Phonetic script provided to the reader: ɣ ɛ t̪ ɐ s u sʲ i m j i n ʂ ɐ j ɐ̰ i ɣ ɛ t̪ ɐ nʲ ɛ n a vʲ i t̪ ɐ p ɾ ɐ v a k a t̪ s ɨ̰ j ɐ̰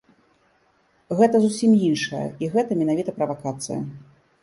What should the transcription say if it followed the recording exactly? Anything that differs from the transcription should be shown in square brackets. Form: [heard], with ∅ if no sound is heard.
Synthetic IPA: ɣ ɛ t̪ ɐ [z] u sʲ i m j i n ʂ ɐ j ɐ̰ i ɣ ɛ t̪ ɐ [mʲ] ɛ n a vʲ i t̪ ɐ p ɾ ɐ v a k a t̪ s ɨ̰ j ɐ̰